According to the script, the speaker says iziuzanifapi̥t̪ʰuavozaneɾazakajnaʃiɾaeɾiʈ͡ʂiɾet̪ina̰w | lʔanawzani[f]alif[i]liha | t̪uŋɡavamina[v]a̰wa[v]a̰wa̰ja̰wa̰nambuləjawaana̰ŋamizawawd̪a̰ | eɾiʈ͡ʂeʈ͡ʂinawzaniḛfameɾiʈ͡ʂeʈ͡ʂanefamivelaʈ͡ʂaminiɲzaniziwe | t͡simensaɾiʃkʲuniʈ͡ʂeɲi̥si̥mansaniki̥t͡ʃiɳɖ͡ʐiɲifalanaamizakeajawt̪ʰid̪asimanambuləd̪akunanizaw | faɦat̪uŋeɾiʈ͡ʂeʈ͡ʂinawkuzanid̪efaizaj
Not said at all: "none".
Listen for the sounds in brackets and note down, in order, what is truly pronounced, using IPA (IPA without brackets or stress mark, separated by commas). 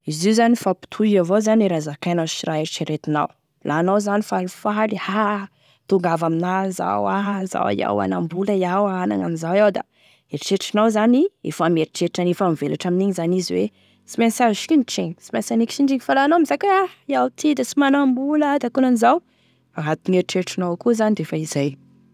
f, a, z, z